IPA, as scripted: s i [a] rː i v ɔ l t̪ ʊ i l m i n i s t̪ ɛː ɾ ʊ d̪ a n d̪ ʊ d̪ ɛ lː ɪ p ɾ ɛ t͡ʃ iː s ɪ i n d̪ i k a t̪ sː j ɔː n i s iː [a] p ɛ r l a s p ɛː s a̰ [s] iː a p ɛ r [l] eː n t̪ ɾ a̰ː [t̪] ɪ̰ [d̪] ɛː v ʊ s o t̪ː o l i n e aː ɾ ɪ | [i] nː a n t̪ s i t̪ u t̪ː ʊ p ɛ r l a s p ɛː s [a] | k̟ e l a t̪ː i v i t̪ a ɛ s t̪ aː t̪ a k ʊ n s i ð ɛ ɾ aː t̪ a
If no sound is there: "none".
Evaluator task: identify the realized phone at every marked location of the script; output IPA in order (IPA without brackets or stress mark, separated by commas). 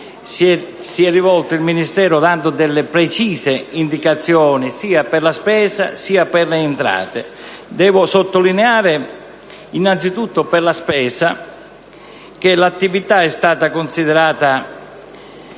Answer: ɛ, a, s, l, t̪, d̪, i, a